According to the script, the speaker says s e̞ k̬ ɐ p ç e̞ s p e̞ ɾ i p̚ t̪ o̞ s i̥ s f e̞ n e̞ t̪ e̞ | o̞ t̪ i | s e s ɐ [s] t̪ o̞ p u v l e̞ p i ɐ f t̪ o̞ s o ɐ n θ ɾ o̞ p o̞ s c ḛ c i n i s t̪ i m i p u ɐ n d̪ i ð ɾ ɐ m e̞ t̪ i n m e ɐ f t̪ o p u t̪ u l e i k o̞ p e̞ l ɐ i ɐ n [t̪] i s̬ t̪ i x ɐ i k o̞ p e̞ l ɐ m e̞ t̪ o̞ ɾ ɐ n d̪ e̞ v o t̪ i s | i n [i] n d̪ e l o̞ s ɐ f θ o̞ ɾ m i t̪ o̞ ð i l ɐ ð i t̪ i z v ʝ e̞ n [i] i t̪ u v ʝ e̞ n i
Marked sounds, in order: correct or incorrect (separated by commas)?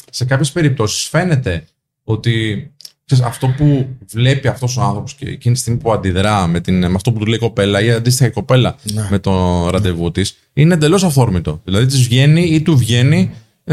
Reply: incorrect, incorrect, incorrect, correct